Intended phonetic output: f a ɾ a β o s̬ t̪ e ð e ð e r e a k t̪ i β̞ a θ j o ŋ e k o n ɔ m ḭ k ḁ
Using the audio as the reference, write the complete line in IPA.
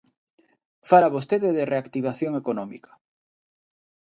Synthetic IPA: f a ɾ a β o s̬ t̪ e ð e ð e r e a k t̪ i β̞ a θ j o ŋ e k o n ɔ m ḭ k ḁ